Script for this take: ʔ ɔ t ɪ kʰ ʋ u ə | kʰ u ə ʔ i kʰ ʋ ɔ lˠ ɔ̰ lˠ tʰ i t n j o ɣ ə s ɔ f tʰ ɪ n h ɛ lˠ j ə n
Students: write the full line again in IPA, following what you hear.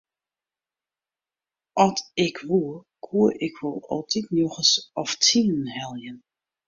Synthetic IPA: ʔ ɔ t ɪ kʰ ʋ u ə | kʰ u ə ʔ ɪ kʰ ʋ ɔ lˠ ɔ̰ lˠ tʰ i t n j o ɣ ə s ɔ f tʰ i n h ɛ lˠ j ə n